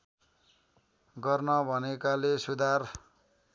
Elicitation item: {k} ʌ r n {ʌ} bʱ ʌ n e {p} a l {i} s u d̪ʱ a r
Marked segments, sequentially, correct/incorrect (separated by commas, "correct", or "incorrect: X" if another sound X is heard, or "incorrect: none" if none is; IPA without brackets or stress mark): incorrect: ɡ, correct, incorrect: k, incorrect: e